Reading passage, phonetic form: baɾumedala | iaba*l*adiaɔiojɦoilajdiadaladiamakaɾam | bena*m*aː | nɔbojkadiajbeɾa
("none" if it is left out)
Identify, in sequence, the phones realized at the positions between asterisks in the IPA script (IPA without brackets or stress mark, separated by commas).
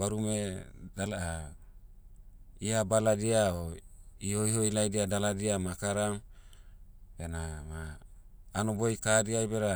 l, m